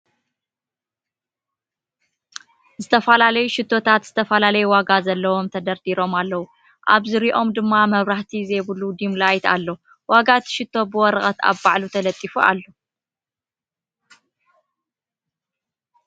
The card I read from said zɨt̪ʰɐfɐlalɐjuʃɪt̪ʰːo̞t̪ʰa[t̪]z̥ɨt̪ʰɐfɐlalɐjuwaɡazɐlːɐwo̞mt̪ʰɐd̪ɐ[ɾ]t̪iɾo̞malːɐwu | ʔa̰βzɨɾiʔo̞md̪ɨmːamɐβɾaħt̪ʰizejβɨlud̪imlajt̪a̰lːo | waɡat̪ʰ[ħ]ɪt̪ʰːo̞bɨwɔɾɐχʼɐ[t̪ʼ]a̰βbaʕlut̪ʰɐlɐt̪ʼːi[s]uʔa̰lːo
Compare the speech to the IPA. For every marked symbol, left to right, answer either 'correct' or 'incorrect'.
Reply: correct, correct, incorrect: ʃ, incorrect: t̪, incorrect: f

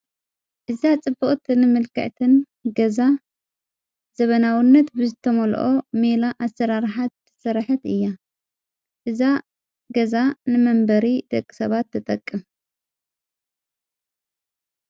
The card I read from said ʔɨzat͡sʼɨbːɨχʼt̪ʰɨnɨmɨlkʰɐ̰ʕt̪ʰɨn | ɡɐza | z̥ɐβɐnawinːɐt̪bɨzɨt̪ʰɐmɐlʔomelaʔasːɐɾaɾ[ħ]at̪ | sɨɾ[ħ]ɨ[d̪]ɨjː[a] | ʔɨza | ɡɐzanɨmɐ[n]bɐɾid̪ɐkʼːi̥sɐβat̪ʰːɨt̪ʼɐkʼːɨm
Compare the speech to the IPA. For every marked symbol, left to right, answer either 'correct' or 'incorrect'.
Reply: correct, correct, incorrect: t̪, correct, incorrect: m

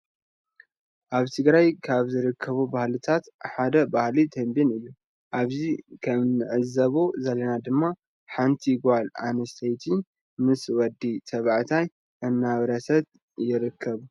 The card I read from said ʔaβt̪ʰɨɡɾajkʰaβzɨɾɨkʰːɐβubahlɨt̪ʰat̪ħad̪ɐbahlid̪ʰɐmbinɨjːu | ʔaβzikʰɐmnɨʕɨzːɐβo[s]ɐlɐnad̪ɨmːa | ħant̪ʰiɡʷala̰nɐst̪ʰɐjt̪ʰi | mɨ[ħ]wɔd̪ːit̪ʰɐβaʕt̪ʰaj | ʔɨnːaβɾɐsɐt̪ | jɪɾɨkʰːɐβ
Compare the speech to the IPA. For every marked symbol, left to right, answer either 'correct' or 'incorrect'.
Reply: incorrect: z, incorrect: s

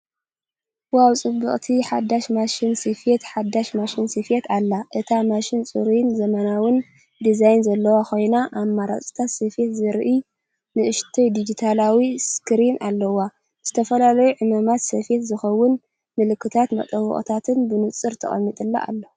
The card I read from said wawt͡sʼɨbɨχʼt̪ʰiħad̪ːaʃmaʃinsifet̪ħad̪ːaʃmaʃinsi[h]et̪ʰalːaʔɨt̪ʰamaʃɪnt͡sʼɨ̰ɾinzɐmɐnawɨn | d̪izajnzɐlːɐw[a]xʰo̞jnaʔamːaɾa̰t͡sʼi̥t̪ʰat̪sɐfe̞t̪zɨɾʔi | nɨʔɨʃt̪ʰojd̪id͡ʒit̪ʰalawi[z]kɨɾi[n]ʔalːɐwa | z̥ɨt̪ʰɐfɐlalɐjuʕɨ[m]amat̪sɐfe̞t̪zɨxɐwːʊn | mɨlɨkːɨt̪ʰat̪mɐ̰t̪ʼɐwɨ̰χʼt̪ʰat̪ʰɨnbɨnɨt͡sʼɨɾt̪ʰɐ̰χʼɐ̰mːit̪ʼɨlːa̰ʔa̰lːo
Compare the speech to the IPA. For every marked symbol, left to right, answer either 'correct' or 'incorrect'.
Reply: incorrect: f, correct, incorrect: s, correct, correct

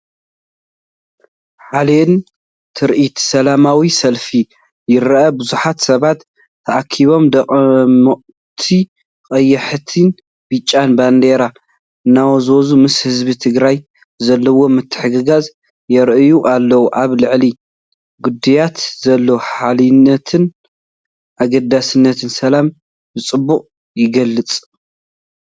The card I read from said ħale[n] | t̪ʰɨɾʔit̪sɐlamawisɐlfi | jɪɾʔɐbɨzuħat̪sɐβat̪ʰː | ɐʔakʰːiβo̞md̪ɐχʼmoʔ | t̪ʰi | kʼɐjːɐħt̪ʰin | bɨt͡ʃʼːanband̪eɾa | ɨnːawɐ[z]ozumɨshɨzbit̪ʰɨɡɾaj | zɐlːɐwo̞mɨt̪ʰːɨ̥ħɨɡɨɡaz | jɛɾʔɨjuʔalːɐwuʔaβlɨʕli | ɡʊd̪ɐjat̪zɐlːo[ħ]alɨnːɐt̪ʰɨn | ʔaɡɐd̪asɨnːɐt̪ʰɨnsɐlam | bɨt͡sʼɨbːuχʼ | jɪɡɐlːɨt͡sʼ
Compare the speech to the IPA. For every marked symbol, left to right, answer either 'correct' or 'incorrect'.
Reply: correct, correct, correct

